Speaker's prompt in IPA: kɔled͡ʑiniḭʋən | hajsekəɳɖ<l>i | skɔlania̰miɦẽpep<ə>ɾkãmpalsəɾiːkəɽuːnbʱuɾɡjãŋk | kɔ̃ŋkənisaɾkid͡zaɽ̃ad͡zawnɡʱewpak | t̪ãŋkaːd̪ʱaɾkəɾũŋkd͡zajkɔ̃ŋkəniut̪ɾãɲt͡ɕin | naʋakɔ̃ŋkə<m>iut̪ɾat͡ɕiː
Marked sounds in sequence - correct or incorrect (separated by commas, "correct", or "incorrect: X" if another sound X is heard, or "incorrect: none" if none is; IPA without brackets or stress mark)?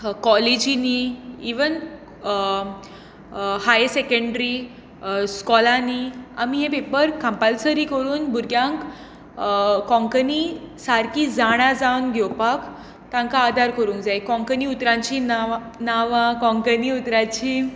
incorrect: ɾ, correct, incorrect: n